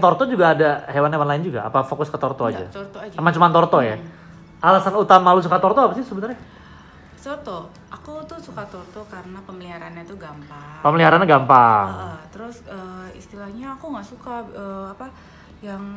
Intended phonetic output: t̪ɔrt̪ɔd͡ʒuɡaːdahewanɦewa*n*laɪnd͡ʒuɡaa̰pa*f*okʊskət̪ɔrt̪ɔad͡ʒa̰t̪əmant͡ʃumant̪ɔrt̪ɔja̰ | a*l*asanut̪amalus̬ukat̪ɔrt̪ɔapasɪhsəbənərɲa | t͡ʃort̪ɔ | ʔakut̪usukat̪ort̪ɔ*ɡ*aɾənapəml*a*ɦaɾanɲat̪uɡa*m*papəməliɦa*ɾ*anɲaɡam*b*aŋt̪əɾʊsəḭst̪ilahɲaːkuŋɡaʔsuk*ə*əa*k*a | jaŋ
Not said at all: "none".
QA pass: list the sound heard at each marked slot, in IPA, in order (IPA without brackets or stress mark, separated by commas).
n, f, l, k, i, m, ɾ, p, a, p